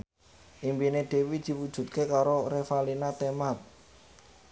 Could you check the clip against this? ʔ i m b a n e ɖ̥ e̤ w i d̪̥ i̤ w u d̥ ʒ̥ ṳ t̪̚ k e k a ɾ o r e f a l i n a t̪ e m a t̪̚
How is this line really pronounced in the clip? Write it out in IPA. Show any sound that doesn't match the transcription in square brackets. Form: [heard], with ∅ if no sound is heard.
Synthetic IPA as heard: ʔ i m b [i] n e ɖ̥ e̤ w i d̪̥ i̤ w u d̥ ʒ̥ ṳ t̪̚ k e k a ɾ o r e f a l i n a t̪ e m a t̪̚